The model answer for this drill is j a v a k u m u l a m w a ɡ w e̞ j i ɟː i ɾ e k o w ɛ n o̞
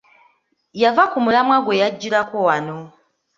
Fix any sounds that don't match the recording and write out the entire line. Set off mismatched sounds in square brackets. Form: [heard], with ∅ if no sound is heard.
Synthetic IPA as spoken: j a v a k u m u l a m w a ɡ w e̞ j [a] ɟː i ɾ [a] k o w [a] n o̞